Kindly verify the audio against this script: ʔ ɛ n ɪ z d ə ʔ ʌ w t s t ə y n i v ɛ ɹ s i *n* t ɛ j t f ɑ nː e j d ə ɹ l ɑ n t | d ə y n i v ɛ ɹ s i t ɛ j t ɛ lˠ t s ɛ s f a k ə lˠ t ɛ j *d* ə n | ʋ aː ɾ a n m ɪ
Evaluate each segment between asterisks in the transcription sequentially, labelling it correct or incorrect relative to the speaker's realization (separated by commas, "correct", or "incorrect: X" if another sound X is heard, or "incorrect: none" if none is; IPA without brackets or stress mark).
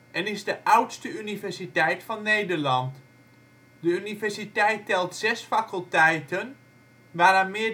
incorrect: none, incorrect: t